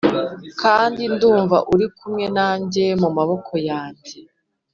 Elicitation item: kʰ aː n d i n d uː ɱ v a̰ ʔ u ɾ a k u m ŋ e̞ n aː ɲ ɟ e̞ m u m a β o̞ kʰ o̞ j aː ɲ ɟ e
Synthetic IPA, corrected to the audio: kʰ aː n d i n d uː ɱ v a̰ ʔ u ɾ i k u m ŋ e̞ n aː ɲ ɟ e̞ m u m a β o̞ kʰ o̞ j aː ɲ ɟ e